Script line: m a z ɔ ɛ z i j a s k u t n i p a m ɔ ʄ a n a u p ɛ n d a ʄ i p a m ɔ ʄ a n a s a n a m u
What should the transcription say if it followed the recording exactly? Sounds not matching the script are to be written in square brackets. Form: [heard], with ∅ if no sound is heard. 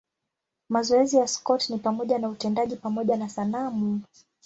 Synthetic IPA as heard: m a z ɔ ɛ z i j a s k [ɔ] t n i p a m ɔ ʄ a n a u [t] ɛ n d a ʄ i p a m ɔ ʄ a n a s a n a m u